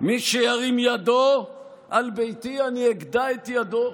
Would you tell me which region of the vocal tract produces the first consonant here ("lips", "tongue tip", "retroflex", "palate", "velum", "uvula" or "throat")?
lips